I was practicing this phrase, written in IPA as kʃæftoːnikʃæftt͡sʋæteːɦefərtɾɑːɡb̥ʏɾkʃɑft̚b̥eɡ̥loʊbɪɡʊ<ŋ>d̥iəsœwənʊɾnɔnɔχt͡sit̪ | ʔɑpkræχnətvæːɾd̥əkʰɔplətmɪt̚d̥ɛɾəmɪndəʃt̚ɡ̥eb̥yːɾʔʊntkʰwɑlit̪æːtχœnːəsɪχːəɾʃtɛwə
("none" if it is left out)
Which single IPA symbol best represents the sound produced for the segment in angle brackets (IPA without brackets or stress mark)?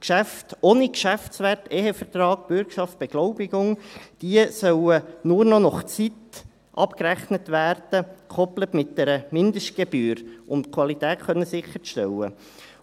ŋ